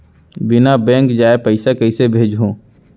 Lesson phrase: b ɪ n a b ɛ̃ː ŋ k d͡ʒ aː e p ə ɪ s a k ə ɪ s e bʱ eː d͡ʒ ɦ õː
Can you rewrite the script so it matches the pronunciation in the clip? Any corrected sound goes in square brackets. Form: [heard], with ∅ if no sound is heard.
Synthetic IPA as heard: b ɪ n a b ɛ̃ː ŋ k d͡ʒ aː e p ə ɪ s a k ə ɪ s e bʱ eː d͡ʒ ɦ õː